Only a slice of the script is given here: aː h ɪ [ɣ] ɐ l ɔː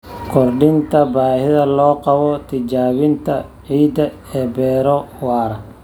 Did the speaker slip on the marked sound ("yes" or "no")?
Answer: yes